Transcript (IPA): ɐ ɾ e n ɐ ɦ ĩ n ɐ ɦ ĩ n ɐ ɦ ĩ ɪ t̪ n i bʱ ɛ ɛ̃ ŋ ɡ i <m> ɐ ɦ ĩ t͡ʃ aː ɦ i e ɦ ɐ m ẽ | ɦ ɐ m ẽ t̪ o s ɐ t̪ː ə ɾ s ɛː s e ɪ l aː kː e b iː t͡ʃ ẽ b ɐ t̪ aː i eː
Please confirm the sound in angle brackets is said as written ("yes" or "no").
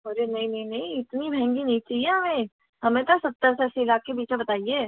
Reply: no